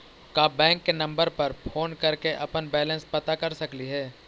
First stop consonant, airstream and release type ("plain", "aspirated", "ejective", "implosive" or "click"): plain